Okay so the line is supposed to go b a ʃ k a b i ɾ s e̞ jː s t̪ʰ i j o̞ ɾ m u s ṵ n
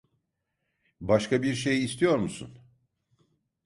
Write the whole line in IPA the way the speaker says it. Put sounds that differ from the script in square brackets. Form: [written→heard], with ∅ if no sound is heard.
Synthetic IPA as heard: b a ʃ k a b i ɾ [s→ʃ] e̞ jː s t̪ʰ i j o̞ ɾ m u s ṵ n